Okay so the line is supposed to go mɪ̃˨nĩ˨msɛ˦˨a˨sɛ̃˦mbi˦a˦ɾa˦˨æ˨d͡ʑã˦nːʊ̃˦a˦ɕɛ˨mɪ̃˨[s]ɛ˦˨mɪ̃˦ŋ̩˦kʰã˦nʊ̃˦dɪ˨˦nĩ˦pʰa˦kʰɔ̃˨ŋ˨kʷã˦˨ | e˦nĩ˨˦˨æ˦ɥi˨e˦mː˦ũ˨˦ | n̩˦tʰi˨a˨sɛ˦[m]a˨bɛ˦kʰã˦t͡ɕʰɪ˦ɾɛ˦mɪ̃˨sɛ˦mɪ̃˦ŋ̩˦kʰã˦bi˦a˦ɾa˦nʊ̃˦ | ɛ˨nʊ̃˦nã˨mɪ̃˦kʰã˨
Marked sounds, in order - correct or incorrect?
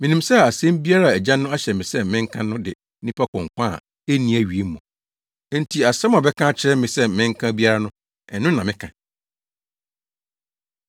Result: correct, correct

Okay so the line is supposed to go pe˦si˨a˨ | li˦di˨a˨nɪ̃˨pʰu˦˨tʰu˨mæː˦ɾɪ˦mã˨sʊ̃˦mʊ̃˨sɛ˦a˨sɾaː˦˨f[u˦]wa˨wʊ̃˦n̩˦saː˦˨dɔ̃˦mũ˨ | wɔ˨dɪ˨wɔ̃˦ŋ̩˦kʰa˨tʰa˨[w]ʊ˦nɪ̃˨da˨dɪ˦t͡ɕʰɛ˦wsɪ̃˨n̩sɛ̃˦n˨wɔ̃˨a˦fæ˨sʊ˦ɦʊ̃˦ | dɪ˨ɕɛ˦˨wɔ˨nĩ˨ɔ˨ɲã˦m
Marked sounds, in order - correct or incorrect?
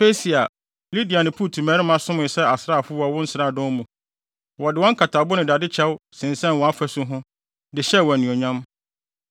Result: incorrect: ʊ˦, incorrect: b

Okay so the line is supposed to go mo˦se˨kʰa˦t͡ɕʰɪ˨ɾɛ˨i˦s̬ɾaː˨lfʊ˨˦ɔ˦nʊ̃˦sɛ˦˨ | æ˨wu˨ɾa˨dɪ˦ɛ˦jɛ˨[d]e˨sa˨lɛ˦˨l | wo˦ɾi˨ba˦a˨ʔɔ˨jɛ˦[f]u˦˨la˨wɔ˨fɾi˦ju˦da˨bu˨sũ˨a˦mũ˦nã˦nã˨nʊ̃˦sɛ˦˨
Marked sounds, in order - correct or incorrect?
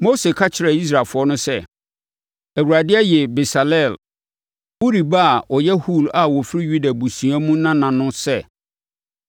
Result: incorrect: b, incorrect: h

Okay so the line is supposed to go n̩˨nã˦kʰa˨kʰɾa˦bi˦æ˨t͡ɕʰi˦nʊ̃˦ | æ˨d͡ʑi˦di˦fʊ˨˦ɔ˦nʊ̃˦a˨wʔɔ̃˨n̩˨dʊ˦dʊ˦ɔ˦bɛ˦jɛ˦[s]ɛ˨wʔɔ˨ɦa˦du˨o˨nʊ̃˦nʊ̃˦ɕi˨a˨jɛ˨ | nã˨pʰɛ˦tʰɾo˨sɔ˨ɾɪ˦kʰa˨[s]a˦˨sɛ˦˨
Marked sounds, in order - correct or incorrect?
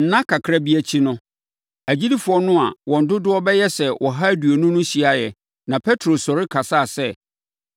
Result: correct, correct

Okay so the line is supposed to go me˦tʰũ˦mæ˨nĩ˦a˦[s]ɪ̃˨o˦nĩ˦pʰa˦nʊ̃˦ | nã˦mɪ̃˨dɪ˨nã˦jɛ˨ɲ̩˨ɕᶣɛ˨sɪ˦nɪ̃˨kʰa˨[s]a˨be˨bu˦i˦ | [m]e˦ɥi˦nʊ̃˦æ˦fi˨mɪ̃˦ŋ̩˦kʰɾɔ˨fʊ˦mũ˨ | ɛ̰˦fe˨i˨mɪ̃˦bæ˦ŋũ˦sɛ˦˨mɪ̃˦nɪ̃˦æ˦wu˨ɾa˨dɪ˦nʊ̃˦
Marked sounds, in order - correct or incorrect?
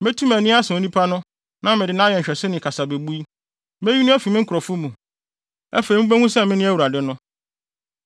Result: correct, correct, correct

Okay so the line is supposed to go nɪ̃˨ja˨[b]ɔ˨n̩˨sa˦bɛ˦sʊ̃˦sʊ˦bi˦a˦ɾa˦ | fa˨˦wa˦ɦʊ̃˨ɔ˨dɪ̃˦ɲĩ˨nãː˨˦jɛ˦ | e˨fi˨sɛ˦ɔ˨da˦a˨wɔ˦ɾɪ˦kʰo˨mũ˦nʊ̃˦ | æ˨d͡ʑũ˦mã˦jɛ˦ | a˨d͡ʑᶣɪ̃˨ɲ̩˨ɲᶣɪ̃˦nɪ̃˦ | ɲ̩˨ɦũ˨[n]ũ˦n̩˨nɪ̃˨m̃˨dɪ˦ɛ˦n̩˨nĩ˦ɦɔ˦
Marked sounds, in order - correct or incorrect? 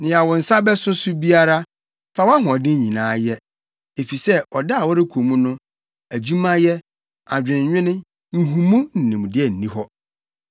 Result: incorrect: w, incorrect: m

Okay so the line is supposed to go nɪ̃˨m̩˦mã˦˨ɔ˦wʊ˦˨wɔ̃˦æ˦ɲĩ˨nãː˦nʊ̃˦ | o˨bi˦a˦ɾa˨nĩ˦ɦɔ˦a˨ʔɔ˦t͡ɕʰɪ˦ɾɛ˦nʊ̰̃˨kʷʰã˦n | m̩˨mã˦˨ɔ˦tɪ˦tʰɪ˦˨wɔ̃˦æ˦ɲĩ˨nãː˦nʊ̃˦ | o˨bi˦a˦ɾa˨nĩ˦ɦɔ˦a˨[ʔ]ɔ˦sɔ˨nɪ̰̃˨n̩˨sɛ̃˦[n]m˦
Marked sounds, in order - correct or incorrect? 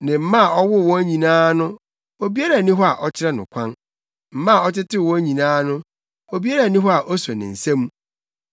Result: correct, incorrect: none

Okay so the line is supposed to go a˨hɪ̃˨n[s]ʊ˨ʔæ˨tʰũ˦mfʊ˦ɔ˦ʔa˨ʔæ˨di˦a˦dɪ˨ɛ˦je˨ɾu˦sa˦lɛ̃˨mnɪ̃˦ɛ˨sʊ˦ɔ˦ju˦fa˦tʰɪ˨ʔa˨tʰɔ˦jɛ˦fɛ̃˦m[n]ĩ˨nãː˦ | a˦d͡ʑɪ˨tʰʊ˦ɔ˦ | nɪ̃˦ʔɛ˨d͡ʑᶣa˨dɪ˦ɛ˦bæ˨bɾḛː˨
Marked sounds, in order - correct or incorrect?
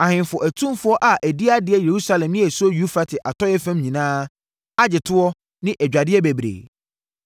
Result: incorrect: f, incorrect: ɲ

